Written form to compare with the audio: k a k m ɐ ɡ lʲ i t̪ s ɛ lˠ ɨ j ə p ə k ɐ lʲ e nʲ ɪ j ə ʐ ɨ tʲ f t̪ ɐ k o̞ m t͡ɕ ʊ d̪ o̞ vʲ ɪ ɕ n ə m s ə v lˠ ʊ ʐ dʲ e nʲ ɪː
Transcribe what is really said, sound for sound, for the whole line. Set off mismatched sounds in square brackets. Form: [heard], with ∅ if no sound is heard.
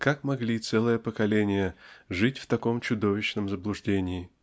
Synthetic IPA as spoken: k a k m ɐ ɡ lʲ i t̪ s ɛ lˠ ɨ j ə p ə k ɐ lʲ e nʲ ɪ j ə ʐ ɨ tʲ f t̪ ɐ k o̞ m t͡ɕ ʊ d̪ o̞ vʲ ɪ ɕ n ə m [z] ə [b] lˠ ʊ ʐ dʲ e nʲ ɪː